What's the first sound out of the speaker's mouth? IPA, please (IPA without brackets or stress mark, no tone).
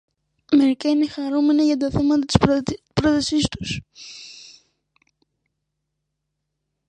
m